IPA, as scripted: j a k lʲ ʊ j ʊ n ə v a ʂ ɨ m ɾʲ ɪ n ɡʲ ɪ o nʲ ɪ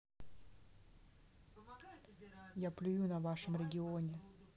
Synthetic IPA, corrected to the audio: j a p lʲ ʊ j u n ɐ v a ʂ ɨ m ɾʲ ɪ ɡʲ ɪ o nʲ ɪ